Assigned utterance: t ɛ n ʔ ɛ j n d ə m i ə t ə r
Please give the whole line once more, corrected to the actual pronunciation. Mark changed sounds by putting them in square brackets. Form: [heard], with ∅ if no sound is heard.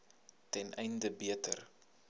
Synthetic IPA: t ɛ n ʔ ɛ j n d ə [b] i ə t ə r